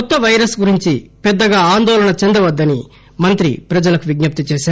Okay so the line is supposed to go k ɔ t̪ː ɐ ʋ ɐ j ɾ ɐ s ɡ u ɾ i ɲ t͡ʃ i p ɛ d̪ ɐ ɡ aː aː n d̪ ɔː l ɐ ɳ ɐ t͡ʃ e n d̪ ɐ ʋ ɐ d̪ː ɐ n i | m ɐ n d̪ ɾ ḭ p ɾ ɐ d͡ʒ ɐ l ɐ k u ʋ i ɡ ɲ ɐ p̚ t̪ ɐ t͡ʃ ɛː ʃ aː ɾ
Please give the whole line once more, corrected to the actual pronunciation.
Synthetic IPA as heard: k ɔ t̪ː ɐ ʋ ɐ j ɾ ɐ s ɡ u ɾ i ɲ t͡ʃ i p ɛ d̪ː ɐ ɡ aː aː n d̪ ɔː l ɐ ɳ ɐ t͡ʃ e n d̪ ɐ ʋ ɐ d̪ː ɐ n i | m ɐ n t̪ ɾ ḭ p ɾ ɐ d͡ʒ ɐ l ɐ k u ʋ i ɡ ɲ ɐ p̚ t̪ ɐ t͡ʃ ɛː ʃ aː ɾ